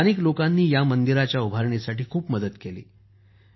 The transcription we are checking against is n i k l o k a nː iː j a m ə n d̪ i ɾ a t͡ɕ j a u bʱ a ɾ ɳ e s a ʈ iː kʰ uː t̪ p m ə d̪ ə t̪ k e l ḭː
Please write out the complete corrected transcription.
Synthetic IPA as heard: n i k l o k a nː iː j a m ə n d̪ i ɾ a t͡ɕ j a u bʱ a ɾ ɳ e s a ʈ iː kʰ uː p m ə d̪ ə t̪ k e l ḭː